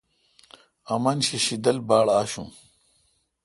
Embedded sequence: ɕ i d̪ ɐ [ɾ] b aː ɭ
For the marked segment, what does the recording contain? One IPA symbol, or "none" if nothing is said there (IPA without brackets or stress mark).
l